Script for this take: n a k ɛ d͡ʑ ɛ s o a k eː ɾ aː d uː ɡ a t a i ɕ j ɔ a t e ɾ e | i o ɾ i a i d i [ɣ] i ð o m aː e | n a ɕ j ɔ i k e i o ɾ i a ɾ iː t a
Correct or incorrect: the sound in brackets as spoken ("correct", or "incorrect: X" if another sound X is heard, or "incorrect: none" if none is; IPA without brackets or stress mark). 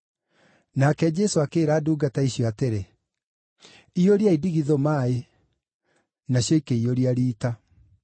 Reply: correct